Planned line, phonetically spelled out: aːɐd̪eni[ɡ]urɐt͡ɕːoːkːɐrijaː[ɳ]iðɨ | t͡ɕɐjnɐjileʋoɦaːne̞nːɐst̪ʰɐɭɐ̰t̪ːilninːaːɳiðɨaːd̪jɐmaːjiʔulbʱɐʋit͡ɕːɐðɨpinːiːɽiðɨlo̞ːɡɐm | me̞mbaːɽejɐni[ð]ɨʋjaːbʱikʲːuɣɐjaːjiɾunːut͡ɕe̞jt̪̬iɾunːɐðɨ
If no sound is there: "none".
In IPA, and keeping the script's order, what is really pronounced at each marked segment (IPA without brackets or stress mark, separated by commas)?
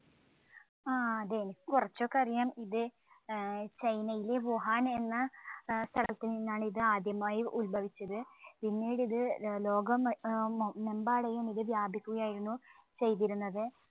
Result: k, m, ð